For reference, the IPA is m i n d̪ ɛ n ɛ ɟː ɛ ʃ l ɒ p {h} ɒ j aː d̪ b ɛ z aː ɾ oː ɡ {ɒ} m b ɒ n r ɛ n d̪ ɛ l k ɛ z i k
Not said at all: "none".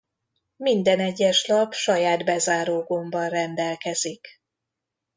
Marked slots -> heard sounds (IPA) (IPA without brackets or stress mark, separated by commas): ʃ, o